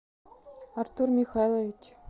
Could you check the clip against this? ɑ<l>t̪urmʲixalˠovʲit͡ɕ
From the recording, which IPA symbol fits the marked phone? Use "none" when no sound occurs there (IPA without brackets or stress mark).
r